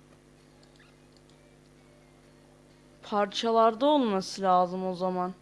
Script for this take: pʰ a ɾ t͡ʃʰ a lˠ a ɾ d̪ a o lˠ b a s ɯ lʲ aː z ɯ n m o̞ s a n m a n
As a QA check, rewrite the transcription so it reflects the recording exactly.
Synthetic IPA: pʰ a ɾ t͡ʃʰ a lˠ a ɾ d̪ a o lˠ m a s ɯ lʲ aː z ɯ m o̞ z a m a n